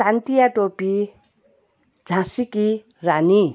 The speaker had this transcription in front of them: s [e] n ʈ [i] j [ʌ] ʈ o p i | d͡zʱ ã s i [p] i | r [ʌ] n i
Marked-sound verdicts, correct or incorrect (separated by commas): incorrect, correct, incorrect, incorrect, incorrect